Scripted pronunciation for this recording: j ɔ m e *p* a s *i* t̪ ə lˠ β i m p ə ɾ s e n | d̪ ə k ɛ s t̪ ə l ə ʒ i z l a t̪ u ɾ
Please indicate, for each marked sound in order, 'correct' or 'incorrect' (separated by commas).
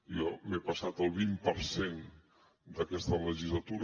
correct, incorrect